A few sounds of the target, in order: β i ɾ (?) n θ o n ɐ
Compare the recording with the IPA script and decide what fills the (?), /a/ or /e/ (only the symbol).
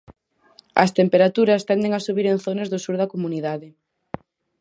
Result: e